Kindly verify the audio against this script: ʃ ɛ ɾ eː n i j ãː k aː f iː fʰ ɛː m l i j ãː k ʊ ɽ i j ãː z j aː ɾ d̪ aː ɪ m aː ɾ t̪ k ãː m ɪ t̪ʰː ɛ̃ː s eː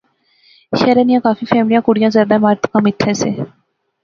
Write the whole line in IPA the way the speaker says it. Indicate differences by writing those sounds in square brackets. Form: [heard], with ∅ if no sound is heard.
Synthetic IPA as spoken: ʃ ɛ ɾ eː n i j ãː k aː f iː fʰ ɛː m l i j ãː k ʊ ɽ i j ãː z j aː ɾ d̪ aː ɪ m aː ɾ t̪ k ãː m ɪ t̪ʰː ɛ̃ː s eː